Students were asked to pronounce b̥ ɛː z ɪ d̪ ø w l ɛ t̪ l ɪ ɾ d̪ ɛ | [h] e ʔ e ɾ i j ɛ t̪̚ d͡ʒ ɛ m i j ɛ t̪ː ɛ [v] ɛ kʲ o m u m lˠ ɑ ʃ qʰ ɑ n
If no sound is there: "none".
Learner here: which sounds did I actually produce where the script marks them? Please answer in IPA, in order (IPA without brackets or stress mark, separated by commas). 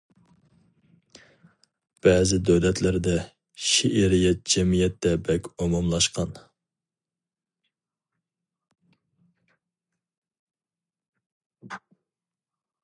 ʃ, b